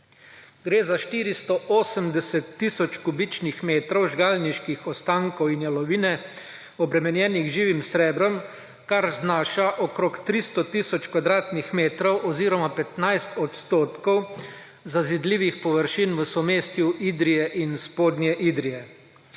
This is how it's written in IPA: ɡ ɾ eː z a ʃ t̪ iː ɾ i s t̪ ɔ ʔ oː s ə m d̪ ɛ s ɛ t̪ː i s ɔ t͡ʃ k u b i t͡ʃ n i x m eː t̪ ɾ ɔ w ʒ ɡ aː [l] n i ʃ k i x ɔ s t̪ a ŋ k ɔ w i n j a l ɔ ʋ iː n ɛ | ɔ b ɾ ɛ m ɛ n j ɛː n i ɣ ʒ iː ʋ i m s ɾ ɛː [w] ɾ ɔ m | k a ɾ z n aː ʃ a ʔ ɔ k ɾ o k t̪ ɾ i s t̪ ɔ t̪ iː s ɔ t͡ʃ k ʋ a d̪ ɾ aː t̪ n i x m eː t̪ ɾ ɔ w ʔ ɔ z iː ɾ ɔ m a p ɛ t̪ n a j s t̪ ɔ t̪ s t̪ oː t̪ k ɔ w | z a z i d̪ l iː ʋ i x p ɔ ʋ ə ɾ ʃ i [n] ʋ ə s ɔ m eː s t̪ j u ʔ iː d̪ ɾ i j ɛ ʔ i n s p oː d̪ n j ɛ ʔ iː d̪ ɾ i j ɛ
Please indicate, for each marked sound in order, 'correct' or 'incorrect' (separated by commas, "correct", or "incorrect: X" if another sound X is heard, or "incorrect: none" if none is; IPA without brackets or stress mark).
correct, incorrect: b, correct